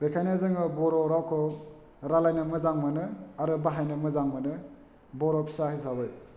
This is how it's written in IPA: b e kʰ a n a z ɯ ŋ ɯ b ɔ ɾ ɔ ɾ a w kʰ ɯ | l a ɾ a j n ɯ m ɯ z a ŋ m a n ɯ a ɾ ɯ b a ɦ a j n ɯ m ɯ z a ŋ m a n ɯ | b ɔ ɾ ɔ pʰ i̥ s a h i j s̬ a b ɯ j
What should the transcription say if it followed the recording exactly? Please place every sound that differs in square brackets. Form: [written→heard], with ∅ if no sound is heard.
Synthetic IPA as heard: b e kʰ a n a z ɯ ŋ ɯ b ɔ ɾ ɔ ɾ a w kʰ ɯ | [l→ɾ] a [ɾ→l] a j n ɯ m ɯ z a ŋ m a n ɯ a ɾ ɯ b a ɦ a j n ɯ m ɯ z a ŋ m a n ɯ | b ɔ ɾ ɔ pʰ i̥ s a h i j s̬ a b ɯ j